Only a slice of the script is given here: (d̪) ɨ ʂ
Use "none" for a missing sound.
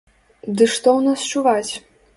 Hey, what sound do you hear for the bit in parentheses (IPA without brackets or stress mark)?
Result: d̪